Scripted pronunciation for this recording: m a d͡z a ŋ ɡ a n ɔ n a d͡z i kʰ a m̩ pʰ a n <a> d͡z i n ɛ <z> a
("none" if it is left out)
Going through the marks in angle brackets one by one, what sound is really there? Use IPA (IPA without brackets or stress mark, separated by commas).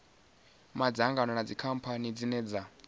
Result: i, d͡z